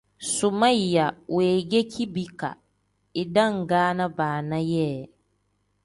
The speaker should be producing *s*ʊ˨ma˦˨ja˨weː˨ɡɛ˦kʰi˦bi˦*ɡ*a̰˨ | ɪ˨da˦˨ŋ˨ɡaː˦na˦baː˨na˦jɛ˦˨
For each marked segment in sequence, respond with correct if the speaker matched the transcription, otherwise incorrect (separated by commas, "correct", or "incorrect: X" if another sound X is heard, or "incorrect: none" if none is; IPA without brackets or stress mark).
correct, incorrect: k